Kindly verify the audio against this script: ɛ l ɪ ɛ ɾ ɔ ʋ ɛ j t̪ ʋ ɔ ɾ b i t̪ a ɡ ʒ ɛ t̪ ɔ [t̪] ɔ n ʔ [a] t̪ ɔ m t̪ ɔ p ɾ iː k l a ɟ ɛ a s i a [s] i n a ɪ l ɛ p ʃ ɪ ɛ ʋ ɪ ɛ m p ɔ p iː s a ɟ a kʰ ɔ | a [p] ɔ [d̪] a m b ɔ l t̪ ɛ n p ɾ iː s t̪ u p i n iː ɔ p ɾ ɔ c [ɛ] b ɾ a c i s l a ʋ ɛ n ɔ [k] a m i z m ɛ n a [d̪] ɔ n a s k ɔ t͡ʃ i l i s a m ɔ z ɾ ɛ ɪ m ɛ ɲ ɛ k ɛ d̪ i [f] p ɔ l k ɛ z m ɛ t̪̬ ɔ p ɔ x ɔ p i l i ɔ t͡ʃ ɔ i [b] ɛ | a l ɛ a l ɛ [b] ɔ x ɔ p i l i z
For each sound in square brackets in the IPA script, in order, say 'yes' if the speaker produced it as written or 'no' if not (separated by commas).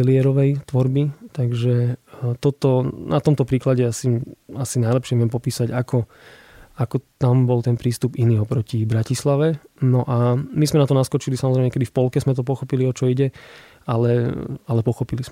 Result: yes, yes, yes, no, no, no, no, no, yes, no, no